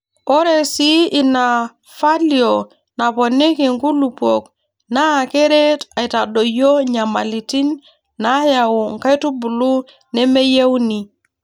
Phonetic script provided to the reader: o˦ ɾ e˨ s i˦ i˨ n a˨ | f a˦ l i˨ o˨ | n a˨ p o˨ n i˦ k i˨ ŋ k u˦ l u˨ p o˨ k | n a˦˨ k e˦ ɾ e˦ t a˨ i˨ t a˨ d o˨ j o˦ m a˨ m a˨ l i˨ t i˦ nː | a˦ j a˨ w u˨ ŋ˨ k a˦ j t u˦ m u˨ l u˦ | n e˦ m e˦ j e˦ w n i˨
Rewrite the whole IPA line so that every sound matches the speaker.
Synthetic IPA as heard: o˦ ɾ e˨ s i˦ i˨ n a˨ | f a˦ l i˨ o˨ | n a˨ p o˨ n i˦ k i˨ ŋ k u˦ l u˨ p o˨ k | n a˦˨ k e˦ ɾ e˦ t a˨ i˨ t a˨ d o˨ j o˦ ɲ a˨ m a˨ l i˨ t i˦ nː | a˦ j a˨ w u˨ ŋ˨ k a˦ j t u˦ b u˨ l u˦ | n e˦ m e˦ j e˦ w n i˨